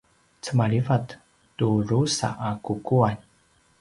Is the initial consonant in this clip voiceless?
yes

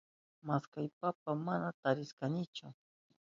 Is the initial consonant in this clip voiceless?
no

